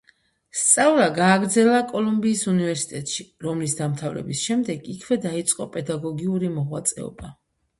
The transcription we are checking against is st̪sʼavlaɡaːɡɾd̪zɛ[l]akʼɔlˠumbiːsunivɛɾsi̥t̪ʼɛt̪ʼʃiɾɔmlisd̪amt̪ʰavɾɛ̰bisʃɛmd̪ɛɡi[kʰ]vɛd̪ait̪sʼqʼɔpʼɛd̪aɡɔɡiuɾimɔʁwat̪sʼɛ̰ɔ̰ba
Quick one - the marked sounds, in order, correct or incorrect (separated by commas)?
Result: correct, correct